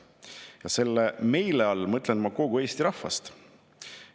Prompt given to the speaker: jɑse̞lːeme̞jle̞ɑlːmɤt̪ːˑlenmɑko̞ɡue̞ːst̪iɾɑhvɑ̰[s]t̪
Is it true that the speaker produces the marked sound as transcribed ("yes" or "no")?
yes